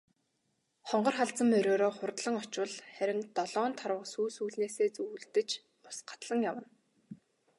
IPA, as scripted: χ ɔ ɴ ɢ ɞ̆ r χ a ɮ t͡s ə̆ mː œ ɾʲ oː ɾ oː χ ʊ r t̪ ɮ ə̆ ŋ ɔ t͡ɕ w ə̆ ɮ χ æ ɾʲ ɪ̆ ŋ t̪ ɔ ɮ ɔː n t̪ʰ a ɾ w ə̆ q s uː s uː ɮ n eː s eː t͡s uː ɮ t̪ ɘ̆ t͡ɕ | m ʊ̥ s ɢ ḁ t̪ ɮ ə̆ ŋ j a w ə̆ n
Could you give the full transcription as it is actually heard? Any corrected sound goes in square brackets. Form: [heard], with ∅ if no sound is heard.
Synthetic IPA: χ ɔ ɴ ɢ ɞ̆ r χ a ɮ t͡s ə̆ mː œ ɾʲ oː ɾ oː χ ʊ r t̪ ɮ ə̆ ŋ ɔ t͡ɕ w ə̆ ɮ χ æ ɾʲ ɪ̆ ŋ t̪ ɔ ɮ ɔː n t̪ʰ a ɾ w ə̆ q s uː s uː ɮ n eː s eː t͡s uː ɮ t̪ ɘ̆ t͡ɕ | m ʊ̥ s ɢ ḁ t̪ ɮ ə̆ ŋ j a w ə̆ n